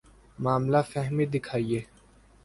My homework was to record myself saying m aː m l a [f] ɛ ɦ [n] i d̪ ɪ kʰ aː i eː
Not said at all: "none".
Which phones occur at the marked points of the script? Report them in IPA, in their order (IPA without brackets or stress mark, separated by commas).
f, m